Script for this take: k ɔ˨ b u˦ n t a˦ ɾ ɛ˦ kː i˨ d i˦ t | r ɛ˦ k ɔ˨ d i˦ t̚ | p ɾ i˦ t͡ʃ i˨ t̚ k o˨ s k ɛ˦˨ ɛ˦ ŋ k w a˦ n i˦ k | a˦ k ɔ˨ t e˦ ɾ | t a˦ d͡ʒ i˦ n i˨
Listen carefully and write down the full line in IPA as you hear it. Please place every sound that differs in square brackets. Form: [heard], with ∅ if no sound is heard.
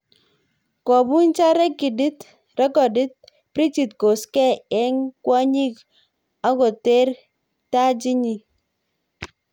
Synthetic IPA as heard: k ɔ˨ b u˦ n [t͡ʃ] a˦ ɾ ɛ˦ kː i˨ d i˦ t | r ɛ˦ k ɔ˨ d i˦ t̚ | p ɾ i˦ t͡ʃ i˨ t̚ k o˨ s k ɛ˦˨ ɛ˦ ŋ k w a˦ [ɲ] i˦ k | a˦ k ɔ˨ t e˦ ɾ | t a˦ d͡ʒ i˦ [ɲ] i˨

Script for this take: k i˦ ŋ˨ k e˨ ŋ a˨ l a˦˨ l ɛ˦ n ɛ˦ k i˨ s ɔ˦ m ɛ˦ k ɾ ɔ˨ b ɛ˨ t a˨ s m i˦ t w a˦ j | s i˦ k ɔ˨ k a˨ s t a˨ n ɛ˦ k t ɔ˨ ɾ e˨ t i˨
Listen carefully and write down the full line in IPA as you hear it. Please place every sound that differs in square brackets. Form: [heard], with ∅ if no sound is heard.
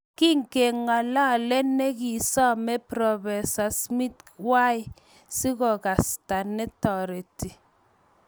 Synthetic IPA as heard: k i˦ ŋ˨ k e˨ ŋ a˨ l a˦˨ l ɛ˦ n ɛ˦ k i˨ s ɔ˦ m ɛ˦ [p] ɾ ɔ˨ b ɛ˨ [s] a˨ s m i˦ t w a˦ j | s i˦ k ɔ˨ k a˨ s t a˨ n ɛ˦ [∅] t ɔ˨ ɾ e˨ t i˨

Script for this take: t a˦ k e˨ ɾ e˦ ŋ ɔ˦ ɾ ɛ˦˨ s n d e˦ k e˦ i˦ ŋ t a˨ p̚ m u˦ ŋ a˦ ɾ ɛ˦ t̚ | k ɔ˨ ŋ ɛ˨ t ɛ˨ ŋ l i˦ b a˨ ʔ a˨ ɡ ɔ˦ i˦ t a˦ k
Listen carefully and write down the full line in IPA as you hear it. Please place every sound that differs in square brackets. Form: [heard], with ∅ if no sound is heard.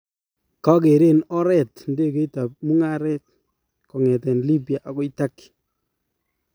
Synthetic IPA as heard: [k] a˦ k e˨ ɾ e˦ [n] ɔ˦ ɾ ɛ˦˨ [t] n d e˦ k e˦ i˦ [∅] t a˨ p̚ m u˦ ŋ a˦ ɾ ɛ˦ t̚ | k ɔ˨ ŋ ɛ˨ t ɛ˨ [n] l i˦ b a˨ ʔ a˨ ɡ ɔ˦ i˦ t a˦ k

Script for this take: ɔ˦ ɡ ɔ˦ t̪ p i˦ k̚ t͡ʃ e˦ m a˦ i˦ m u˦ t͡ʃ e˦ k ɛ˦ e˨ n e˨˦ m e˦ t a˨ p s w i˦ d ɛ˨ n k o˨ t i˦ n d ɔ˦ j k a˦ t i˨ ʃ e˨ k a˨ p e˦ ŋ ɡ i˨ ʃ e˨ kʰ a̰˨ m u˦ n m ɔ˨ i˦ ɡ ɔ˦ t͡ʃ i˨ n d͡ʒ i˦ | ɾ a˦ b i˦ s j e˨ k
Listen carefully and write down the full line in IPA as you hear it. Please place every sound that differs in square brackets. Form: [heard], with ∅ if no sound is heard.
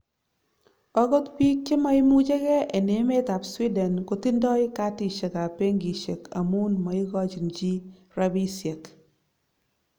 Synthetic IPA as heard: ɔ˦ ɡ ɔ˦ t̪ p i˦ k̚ t͡ʃ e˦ m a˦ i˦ m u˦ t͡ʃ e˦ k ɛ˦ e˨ n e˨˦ m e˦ t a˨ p s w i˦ d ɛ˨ n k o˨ t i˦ n d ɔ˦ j k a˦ t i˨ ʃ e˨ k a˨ p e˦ ŋ ɡ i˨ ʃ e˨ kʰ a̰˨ m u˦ n m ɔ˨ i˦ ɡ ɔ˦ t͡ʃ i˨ n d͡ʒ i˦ | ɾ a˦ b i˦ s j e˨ k

